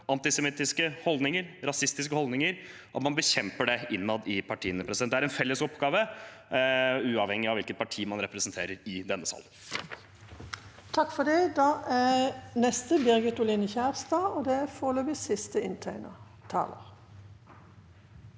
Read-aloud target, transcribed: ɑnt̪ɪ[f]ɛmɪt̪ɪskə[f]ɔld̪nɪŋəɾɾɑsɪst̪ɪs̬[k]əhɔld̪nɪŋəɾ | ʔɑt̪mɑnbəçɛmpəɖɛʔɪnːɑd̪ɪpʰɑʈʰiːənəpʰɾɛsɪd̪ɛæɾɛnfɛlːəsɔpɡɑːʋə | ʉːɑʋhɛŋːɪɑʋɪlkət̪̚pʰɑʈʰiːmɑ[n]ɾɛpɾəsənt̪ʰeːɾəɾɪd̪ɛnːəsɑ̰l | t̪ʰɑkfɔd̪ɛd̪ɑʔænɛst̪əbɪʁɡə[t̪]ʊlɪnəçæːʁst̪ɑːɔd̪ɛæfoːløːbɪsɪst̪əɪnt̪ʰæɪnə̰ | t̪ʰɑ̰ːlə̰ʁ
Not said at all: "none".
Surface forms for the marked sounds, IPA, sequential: s, h, k, n, t̪

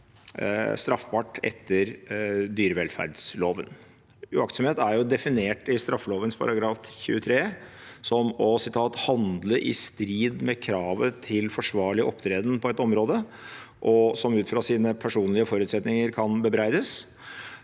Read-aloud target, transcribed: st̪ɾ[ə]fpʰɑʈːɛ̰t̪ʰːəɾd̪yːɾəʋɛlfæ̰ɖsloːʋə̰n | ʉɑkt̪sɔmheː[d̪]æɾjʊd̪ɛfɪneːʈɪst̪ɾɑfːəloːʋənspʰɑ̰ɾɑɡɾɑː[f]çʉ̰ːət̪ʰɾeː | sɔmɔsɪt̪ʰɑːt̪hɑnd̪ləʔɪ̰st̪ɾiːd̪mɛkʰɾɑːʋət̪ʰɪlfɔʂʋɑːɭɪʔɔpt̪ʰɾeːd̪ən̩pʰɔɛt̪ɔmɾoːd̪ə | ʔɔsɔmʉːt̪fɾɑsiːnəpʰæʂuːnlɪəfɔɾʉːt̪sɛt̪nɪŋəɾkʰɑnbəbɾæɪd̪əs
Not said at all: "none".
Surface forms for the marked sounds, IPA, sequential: ɑ, t̪, f

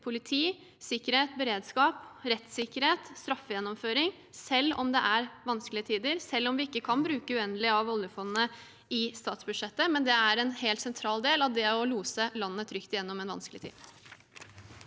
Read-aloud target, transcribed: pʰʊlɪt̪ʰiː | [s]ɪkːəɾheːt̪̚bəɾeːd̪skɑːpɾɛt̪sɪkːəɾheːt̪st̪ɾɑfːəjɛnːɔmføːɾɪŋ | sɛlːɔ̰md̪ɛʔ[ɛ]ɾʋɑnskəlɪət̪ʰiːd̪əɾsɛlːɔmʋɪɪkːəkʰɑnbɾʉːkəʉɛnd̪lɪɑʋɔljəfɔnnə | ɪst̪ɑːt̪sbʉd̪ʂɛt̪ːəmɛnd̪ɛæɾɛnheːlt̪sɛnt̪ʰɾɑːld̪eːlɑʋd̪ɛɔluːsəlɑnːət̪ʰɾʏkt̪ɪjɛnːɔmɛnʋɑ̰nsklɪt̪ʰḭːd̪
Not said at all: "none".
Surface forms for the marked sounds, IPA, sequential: s, æ

